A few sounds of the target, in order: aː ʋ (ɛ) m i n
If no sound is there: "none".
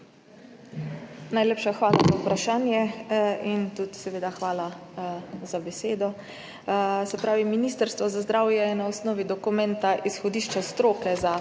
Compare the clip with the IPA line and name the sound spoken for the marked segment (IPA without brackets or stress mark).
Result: i